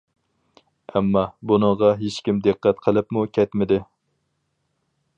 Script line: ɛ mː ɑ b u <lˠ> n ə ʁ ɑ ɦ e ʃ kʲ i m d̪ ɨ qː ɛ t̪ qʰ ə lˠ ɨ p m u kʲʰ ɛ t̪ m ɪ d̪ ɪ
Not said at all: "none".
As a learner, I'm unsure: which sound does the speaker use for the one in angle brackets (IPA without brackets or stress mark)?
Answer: none